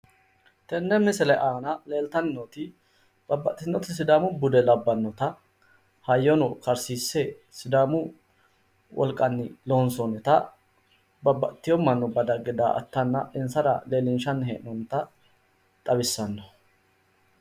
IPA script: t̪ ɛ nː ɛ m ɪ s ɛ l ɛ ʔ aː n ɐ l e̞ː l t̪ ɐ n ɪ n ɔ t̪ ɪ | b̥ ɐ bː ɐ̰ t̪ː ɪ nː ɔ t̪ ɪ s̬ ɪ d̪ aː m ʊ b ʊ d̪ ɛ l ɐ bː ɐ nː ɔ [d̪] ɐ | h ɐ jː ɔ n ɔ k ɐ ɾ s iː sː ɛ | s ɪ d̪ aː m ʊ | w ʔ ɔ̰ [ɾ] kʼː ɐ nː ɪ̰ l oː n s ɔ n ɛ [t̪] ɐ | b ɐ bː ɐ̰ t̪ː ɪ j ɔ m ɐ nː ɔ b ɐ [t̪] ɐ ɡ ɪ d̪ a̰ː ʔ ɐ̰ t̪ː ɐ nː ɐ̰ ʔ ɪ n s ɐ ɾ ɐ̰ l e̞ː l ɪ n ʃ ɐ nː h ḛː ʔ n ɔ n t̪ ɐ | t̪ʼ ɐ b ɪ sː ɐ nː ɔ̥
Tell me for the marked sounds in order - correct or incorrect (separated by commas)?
incorrect, incorrect, correct, incorrect